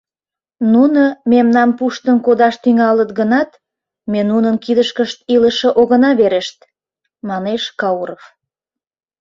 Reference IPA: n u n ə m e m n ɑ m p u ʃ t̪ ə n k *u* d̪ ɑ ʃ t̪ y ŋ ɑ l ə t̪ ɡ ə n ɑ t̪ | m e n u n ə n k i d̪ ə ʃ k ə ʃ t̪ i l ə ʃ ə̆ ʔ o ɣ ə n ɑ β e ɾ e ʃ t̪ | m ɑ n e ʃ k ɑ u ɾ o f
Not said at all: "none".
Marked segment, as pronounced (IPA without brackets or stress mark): o